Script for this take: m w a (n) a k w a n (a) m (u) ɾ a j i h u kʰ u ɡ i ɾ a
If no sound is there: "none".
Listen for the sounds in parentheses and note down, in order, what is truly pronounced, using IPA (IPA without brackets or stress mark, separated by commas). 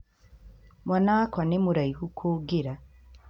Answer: n, e, u